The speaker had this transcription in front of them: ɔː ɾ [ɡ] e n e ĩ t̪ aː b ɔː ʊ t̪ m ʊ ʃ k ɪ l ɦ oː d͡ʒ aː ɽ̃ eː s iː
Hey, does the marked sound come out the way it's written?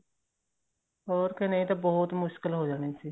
no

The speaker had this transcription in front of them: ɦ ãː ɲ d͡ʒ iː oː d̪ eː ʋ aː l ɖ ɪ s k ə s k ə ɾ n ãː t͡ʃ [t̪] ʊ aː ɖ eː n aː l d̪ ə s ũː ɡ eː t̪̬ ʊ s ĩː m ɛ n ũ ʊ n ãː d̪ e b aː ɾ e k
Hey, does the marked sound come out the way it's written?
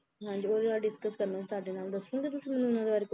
yes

